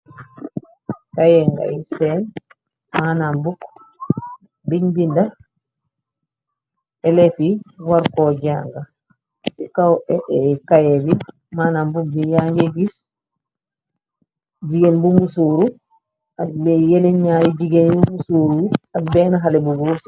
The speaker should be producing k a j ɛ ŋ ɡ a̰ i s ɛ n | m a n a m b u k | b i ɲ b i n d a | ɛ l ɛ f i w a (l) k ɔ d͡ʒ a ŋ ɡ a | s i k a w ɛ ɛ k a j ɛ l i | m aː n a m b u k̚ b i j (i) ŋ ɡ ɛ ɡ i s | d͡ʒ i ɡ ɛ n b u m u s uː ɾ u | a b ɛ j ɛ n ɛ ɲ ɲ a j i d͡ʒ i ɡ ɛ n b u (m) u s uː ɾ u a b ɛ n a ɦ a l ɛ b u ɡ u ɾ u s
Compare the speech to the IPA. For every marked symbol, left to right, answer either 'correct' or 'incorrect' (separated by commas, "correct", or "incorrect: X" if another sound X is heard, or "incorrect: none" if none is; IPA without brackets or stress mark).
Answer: incorrect: ɾ, incorrect: a, correct